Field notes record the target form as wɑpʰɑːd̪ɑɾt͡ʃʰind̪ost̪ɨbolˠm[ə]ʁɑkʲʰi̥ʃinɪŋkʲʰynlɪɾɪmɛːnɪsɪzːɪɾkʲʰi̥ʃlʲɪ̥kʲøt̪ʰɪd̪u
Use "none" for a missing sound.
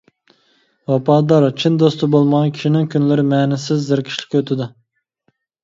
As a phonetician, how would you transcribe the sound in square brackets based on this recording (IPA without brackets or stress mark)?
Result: ɑ